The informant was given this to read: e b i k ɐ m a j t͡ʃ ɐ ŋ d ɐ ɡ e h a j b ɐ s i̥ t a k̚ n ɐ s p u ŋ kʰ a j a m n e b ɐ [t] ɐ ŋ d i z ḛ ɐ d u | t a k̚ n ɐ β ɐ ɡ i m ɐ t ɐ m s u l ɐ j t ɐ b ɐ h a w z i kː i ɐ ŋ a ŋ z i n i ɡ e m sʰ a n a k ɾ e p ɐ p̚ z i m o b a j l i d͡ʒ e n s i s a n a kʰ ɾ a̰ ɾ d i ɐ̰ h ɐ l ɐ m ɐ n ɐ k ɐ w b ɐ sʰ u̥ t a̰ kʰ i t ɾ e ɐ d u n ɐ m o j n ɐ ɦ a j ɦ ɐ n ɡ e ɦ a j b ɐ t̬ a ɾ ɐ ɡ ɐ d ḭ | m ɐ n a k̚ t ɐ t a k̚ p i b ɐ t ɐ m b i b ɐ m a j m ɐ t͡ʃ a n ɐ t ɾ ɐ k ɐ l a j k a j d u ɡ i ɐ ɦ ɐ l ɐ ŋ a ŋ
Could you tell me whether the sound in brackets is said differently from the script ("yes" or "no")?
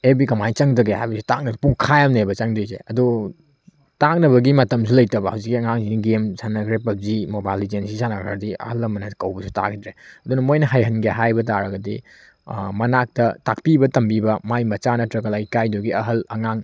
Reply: yes